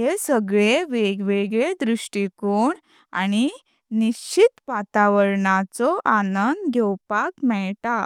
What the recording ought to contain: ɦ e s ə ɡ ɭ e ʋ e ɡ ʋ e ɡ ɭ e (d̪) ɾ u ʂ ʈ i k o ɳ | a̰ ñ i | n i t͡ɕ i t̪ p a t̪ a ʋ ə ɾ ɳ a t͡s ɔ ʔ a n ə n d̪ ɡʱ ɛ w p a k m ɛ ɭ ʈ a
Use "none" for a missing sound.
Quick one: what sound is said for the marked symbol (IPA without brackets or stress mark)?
d̪